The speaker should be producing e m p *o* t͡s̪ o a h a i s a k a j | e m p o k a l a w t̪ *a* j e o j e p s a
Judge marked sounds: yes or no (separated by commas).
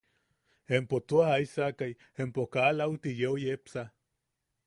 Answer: yes, no